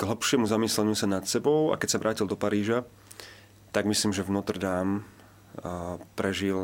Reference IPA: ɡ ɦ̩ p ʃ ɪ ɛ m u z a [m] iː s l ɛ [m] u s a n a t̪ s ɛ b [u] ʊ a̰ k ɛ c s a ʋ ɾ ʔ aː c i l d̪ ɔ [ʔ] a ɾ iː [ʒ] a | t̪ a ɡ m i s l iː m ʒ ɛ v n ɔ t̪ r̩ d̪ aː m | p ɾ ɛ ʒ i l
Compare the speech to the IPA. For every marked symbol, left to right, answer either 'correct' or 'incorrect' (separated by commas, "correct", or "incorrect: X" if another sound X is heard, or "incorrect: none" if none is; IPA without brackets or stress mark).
correct, incorrect: ɲ, incorrect: ɔ, incorrect: p, correct